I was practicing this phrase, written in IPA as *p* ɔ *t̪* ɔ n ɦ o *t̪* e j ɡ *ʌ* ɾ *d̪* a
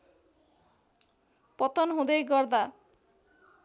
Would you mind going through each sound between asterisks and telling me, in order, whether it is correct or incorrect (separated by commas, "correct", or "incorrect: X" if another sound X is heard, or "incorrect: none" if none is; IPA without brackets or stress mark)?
correct, correct, incorrect: d̪, incorrect: ɔ, correct